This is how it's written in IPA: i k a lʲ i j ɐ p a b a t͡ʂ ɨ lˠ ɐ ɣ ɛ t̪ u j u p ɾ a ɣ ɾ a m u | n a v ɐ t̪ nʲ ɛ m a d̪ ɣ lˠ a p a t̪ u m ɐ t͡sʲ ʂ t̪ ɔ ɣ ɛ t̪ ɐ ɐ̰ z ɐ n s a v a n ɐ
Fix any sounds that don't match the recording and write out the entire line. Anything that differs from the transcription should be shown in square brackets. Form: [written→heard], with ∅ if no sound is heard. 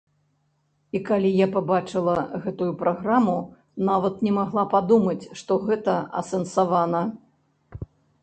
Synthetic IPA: i k a lʲ i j [ɐ→a] p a b a t͡ʂ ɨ lˠ ɐ ɣ ɛ t̪ u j u p ɾ a ɣ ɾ a m u | n a v ɐ t̪ nʲ ɛ m a [d̪→∅] ɣ lˠ a p a [t̪→d̪] u m ɐ t͡sʲ ʂ t̪ ɔ ɣ ɛ t̪ ɐ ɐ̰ [z→s] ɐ n s a v a n ɐ

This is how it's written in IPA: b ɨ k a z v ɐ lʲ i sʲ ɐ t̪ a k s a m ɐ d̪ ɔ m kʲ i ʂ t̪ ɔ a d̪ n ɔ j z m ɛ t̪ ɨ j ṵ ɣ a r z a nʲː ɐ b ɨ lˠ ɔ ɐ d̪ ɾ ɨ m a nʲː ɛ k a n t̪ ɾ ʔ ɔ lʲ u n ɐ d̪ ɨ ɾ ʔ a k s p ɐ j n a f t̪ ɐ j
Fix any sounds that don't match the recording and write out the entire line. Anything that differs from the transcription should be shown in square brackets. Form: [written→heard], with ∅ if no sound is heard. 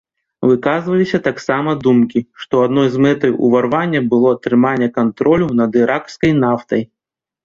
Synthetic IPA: [b→v] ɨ k a z v ɐ lʲ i sʲ ɐ t̪ a k s a m ɐ d̪ [ɔ→u] m kʲ i ʂ t̪ ɔ a d̪ n ɔ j z m ɛ t̪ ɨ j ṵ [ɣ→v] a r [z→v] a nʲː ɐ b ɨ lˠ ɔ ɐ [d̪→t̪] ɾ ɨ m a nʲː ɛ k a n t̪ ɾ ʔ ɔ lʲ u n ɐ d̪ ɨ ɾ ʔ a k s [p→k] ɐ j n a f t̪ ɐ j

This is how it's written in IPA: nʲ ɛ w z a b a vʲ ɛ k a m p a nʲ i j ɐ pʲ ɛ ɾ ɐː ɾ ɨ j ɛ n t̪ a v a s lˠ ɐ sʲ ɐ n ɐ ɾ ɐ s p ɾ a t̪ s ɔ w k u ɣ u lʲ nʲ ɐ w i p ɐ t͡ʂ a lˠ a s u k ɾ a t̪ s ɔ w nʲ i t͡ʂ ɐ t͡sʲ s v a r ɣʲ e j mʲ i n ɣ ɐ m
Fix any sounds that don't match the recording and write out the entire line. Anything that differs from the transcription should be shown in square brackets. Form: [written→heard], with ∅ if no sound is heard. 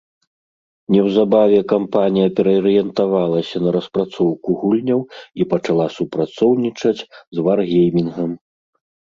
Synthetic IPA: nʲ ɛ w z a b a vʲ ɛ k a m p a nʲ i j ɐ pʲ ɛ ɾ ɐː ɾ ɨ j ɛ n t̪ a v a [s→∅] lˠ ɐ sʲ ɐ n ɐ ɾ ɐ s p ɾ a t̪ s ɔ w k u ɣ u lʲ nʲ ɐ w i p ɐ t͡ʂ a lˠ a s u [k→p] ɾ a t̪ s ɔ w nʲ i t͡ʂ ɐ t͡sʲ [s→z] v a r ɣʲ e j mʲ i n ɣ ɐ m

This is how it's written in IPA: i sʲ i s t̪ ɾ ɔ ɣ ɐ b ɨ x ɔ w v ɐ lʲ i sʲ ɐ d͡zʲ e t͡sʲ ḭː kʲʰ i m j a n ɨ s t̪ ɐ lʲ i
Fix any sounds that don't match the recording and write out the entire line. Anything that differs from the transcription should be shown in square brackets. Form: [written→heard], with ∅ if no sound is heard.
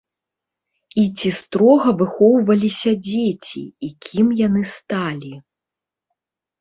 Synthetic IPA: i [sʲ→t͡sʲ] i s t̪ ɾ ɔ ɣ ɐ [b→v] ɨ x ɔ w v ɐ lʲ i sʲ ɐ d͡zʲ e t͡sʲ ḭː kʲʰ i m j a n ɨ s t̪ [ɐ→a] lʲ i

